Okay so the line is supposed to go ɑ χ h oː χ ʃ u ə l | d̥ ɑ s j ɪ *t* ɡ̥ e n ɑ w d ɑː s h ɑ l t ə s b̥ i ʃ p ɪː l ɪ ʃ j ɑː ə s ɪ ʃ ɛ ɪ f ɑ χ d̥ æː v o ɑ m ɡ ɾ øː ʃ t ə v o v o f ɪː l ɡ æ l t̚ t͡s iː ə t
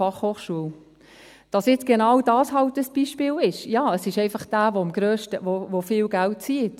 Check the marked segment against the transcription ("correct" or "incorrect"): incorrect